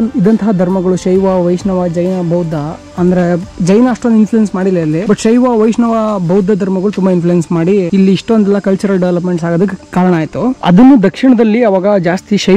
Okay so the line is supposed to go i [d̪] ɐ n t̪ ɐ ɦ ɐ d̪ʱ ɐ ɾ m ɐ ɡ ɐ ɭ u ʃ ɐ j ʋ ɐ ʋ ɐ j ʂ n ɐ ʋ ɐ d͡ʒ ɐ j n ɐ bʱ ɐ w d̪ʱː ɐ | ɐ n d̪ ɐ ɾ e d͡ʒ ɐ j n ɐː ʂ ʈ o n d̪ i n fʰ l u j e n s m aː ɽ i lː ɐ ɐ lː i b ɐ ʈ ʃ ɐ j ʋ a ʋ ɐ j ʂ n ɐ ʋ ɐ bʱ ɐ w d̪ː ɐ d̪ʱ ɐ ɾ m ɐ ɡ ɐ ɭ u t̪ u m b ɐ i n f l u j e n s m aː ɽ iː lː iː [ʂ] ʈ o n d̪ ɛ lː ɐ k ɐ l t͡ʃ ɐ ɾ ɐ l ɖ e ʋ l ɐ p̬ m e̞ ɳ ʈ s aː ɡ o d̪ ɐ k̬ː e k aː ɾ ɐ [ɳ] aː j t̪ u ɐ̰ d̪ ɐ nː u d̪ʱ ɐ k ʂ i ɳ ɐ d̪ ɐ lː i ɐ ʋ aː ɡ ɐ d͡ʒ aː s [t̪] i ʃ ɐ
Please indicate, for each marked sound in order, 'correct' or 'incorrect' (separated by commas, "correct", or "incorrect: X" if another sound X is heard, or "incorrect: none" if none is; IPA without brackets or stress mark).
correct, correct, correct, correct